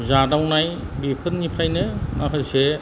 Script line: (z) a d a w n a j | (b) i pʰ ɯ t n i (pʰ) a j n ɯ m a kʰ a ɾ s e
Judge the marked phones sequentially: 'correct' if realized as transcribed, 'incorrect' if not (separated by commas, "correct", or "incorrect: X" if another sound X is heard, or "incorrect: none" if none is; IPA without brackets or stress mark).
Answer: correct, correct, correct